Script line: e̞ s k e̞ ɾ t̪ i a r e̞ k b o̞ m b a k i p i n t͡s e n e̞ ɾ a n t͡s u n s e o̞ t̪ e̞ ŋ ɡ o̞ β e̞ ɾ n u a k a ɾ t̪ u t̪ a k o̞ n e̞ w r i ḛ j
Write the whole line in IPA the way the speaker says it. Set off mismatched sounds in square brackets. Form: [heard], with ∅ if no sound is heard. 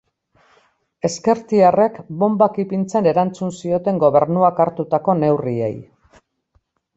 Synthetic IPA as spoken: e̞ s k e̞ ɾ t̪ i a r e̞ k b o̞ m b a k i p i n t͡s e n e̞ ɾ a n t͡s u n s [i] o̞ t̪ e̞ ŋ ɡ o̞ β e̞ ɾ n u a k a ɾ t̪ u t̪ a k o̞ n e̞ w r i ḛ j

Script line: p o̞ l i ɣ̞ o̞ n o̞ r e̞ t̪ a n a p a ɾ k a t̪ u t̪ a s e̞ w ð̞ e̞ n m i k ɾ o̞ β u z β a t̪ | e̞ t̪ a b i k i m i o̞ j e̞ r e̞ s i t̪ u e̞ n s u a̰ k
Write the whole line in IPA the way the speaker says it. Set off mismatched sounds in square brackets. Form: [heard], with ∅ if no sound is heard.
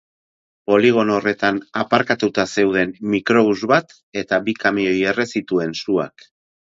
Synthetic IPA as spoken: p o̞ l i ɣ̞ o̞ n o̞ r e̞ t̪ a n a p a ɾ k a t̪ u t̪ a s e̞ w ð̞ e̞ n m i k ɾ o̞ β u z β a t̪ | e̞ t̪ a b i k [a] m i o̞ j e̞ r e̞ s i t̪ u e̞ n s u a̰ k

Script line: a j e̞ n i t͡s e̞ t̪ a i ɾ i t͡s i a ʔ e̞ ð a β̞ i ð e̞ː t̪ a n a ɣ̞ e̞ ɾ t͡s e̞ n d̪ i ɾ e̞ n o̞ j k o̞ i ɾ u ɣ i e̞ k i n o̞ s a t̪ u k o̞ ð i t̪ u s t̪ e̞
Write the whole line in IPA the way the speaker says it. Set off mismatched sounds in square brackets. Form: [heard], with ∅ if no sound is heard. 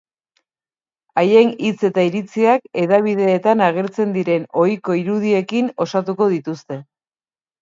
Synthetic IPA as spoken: a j e̞ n i t͡s e̞ t̪ a i ɾ i t͡s i a [k] e̞ ð a β̞ i ð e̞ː t̪ a n a ɣ̞ e̞ ɾ t͡s e̞ n d̪ i ɾ e̞ n o̞ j k o̞ i ɾ u [ð] i e̞ k i n o̞ s a t̪ u k o̞ ð i t̪ u s t̪ e̞

